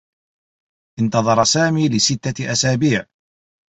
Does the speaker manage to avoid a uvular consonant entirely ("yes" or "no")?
yes